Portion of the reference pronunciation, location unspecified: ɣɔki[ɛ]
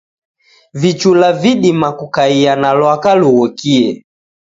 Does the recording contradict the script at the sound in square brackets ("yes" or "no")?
no